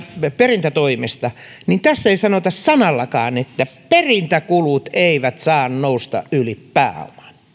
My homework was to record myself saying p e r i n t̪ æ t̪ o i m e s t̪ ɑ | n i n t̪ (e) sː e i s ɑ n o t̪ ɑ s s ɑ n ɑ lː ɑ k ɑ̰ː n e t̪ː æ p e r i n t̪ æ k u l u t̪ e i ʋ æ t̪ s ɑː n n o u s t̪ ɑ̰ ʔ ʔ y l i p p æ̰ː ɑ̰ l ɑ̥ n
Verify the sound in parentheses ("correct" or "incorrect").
incorrect